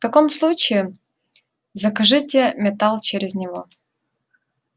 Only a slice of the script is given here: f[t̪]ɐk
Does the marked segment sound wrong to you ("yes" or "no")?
no